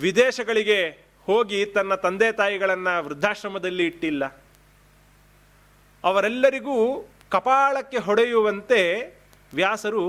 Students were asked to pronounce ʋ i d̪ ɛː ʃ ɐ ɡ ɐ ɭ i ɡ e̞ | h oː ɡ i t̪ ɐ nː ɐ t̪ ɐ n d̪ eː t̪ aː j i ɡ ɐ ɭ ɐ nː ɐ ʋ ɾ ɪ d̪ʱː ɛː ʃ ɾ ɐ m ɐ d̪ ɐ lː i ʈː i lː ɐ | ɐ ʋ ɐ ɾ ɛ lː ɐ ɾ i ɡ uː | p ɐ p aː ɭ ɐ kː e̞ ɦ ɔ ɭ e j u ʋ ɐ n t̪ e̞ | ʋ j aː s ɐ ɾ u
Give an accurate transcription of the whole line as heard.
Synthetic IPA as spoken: ʋ i d̪ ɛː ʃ ɐ ɡ ɐ ɭ i ɡ e̞ | h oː ɡ i t̪ ɐ nː ɐ t̪ ɐ n d̪ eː t̪ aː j i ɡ ɐ ɭ ɐ nː ɐ ʋ ɾ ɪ d̪ʱː aː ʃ ɾ ɐ m ɐ d̪ ɐ lː iː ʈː i lː ɐ | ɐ ʋ ɐ ɾ ɛ lː ɐ ɾ i ɡ uː | k ɐ p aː ɭ ɐ kː e̞ ɦ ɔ ɽ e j u ʋ ɐ n t̪ e̞ | ʋ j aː s ɐ ɾ u